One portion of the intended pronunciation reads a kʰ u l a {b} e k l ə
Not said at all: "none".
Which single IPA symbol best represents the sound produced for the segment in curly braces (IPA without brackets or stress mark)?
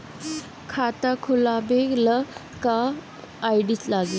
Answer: b